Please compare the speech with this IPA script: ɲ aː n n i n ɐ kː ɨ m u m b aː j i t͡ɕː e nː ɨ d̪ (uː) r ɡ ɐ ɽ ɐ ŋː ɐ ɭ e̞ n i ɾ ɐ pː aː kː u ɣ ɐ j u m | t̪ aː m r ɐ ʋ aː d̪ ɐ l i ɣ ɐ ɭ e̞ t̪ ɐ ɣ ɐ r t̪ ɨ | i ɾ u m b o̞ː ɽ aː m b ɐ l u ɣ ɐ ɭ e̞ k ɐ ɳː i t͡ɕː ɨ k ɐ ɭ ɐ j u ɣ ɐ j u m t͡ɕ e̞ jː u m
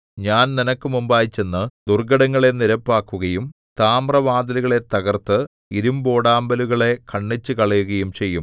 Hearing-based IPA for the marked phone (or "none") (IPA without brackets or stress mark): u